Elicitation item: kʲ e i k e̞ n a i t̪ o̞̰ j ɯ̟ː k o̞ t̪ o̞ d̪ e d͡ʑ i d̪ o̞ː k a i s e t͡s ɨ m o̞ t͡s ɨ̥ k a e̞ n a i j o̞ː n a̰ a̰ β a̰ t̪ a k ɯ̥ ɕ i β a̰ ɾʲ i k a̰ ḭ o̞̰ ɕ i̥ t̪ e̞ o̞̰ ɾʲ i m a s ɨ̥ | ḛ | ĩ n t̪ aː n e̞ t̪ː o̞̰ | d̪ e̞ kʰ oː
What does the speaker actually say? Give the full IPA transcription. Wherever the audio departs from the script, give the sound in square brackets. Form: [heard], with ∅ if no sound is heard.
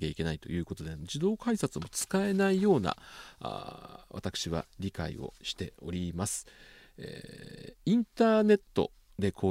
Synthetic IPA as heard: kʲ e i k e̞ n a i t̪ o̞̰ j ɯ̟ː k o̞ t̪ o̞ d̪ e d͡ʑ i d̪ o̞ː k a i s [a] t͡s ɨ m o̞ t͡s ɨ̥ k a e̞ n a i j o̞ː n a̰ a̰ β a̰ t̪ a k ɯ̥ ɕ i β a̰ ɾʲ i k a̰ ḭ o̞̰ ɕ i̥ t̪ e̞ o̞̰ ɾʲ i m a s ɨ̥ | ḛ | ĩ n t̪ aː n e̞ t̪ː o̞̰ | d̪ e̞ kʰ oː